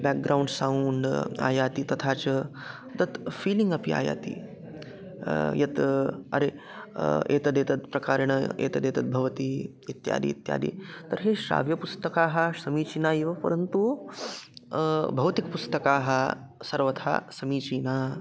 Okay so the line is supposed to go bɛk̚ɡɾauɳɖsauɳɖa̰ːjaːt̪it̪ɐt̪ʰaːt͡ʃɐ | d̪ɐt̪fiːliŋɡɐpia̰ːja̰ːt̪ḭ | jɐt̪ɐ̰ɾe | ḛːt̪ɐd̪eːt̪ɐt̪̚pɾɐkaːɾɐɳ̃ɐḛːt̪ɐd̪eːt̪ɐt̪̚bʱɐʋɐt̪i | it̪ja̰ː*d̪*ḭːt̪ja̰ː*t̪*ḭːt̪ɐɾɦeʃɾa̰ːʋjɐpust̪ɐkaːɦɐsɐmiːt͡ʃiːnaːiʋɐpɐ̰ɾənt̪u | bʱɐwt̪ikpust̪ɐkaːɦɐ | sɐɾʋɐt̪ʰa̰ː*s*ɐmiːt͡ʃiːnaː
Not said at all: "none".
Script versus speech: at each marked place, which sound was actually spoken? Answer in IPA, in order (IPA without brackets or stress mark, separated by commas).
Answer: d̪, d̪, s